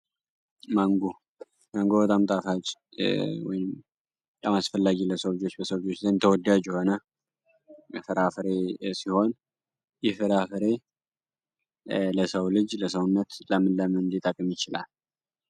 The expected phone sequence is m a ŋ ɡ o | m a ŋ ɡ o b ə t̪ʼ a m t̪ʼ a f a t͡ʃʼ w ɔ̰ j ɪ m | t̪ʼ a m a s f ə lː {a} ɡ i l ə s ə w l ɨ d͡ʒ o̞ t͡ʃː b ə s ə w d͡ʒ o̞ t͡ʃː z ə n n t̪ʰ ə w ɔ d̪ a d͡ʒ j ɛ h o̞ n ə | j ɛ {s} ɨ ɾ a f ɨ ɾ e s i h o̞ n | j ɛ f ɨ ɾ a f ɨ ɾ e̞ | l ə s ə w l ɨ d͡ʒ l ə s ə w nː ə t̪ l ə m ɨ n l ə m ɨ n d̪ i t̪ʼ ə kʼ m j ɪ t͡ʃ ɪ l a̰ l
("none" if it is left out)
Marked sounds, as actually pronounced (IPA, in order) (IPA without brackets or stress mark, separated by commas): a, f